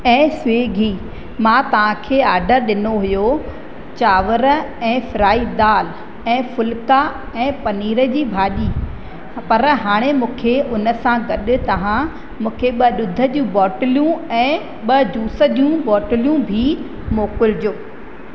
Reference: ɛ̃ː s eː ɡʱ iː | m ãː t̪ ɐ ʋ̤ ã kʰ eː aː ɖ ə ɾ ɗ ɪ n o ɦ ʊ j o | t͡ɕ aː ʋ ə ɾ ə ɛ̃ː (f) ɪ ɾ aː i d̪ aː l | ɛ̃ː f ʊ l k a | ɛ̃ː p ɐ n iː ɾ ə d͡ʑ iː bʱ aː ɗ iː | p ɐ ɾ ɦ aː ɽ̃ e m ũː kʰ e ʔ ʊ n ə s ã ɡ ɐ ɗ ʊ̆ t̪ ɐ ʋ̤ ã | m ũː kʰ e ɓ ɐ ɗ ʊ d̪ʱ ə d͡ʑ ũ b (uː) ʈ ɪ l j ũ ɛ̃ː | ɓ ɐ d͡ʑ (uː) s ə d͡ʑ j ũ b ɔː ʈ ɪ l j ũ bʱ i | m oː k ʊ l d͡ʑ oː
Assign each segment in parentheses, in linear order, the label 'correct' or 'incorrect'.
correct, incorrect, correct

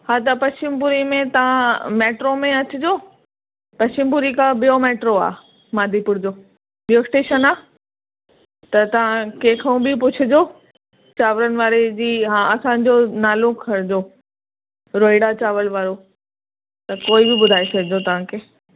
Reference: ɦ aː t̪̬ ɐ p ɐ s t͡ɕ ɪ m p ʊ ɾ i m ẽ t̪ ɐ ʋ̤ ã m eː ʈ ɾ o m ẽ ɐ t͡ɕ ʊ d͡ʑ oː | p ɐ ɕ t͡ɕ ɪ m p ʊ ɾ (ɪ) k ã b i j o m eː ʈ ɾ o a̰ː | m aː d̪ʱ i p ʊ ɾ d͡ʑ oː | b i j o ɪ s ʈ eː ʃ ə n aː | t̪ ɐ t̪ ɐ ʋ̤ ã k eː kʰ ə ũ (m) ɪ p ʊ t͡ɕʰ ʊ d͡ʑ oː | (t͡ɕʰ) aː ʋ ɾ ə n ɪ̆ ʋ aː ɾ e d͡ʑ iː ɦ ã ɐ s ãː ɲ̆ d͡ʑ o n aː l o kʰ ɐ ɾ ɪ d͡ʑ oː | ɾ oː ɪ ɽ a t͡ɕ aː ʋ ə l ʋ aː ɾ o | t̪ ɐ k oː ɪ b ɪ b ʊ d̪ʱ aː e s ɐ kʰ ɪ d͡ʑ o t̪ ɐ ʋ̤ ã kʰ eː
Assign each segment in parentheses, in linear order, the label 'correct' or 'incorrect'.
incorrect, incorrect, incorrect

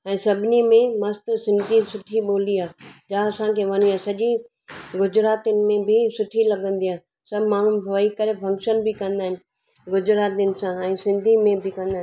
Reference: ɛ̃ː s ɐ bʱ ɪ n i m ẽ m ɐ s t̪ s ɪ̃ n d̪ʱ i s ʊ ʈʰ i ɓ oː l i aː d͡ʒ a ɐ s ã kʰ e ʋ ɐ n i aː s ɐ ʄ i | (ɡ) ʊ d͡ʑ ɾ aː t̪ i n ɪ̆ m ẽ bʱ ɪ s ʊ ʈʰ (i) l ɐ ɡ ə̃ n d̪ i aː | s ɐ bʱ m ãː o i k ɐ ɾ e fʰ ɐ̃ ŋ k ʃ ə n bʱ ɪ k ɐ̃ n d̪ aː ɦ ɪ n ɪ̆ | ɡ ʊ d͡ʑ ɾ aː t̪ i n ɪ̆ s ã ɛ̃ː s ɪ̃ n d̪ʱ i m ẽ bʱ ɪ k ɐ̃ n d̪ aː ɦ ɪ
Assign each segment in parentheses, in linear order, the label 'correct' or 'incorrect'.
correct, correct

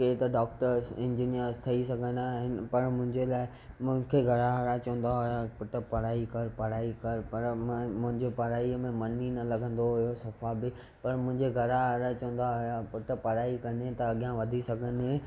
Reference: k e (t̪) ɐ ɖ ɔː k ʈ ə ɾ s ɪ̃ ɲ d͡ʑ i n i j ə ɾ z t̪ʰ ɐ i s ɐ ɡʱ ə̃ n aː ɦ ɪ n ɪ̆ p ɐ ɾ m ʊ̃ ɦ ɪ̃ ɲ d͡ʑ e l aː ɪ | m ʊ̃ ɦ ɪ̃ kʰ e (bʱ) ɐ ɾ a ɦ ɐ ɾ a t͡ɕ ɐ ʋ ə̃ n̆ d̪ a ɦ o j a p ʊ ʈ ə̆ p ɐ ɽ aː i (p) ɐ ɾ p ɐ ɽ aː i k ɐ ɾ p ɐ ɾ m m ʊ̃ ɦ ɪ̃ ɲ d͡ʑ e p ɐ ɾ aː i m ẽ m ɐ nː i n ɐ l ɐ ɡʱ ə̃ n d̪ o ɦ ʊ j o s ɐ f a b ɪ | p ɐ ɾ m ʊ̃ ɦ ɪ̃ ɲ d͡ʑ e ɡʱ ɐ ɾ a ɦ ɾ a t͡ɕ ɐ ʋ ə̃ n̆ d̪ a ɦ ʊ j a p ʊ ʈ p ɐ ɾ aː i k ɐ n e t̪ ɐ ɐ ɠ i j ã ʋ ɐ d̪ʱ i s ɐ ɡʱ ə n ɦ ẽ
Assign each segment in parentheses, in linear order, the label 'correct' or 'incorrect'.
correct, incorrect, incorrect

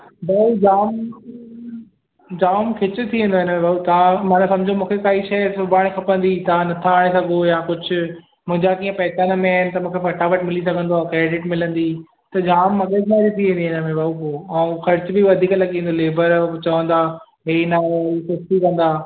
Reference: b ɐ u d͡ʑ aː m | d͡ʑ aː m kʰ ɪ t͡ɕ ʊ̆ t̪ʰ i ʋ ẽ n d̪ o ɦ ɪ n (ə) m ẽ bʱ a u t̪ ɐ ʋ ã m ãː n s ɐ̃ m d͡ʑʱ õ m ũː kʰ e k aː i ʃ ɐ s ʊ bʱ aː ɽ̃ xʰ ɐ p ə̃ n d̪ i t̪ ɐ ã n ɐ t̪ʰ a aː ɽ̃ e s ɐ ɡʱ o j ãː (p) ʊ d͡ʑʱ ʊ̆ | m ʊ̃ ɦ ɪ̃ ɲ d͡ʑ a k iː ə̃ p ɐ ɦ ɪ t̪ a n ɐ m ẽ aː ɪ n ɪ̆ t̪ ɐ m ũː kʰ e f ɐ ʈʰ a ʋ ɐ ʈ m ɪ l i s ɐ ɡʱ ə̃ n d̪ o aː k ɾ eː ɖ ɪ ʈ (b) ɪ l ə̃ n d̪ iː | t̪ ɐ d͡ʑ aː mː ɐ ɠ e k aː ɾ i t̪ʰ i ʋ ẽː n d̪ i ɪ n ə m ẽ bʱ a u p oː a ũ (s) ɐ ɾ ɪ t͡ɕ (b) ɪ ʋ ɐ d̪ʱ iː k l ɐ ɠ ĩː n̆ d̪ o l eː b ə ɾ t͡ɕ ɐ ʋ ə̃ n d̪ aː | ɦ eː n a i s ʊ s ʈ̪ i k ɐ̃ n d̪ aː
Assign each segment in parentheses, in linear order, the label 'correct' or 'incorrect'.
correct, incorrect, incorrect, incorrect, correct

